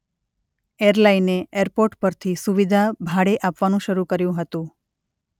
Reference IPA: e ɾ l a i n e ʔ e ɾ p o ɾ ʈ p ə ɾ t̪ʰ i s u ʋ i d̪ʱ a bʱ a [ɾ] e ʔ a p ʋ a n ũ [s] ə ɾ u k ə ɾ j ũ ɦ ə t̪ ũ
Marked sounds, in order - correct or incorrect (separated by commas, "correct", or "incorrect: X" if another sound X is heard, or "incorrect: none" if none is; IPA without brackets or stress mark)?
incorrect: ɽ, incorrect: ʃ